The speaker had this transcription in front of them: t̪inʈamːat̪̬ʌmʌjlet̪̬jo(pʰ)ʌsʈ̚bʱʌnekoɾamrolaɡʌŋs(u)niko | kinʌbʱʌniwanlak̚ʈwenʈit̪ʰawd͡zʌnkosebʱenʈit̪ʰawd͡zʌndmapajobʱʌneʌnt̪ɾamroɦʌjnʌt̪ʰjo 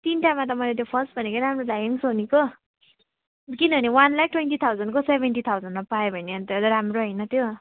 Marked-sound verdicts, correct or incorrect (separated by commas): correct, incorrect